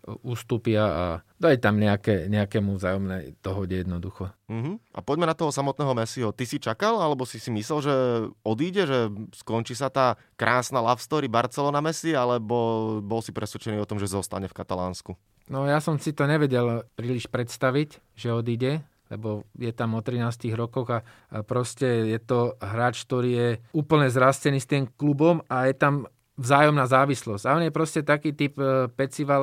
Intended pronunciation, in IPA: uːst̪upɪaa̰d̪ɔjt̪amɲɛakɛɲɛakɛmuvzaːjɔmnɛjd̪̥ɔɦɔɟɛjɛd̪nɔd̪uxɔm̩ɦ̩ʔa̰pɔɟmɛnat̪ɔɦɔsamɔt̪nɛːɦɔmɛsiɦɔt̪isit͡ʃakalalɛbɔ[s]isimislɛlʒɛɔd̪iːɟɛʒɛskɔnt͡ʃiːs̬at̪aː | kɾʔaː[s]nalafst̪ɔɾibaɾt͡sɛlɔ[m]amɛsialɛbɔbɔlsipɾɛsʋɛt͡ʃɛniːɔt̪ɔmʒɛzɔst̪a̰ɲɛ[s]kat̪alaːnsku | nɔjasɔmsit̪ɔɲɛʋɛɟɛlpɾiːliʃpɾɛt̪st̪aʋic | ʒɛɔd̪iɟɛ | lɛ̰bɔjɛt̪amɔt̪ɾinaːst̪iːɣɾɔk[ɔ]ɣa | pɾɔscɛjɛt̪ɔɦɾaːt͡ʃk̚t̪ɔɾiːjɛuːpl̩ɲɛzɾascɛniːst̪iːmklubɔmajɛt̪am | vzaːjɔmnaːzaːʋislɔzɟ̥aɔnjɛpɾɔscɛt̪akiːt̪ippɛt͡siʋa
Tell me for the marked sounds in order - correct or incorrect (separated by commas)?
correct, correct, incorrect, incorrect, correct